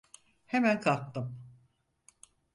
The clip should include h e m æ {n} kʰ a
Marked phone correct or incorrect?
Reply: correct